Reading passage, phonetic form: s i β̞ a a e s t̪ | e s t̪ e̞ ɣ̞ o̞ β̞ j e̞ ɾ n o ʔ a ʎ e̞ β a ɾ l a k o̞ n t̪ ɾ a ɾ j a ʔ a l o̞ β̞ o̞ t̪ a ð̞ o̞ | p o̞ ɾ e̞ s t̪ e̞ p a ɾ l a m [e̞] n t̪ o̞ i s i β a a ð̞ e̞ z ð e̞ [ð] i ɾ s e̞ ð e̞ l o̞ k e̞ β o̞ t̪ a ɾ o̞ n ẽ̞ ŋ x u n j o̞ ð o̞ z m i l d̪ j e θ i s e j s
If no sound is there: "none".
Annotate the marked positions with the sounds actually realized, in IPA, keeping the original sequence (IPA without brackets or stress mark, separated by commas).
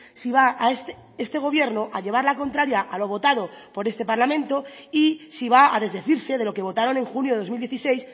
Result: ẽ̞, θ